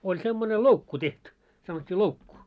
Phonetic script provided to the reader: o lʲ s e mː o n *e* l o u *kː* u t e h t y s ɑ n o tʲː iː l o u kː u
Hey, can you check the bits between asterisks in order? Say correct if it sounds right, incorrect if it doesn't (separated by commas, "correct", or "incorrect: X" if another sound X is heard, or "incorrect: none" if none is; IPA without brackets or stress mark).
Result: correct, correct